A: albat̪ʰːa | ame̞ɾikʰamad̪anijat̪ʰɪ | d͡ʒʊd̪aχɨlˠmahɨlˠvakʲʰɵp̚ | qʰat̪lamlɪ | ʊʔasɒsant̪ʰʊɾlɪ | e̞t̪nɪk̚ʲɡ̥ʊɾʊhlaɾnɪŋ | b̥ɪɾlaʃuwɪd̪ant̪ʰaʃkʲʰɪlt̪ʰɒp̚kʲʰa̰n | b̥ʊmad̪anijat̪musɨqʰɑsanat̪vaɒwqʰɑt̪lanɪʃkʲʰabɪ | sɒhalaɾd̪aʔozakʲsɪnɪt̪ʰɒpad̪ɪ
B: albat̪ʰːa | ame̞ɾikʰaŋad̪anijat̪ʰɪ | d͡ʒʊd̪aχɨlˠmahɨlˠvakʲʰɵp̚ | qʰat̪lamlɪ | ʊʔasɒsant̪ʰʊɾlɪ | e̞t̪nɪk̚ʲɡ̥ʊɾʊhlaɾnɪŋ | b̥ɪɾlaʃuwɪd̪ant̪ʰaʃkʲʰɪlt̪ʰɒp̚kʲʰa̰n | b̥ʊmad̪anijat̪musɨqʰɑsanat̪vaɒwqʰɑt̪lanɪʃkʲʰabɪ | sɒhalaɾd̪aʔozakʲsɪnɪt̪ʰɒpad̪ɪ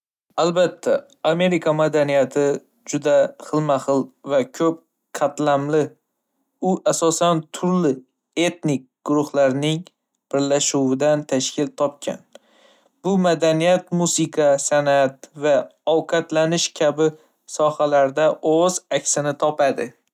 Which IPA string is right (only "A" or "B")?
A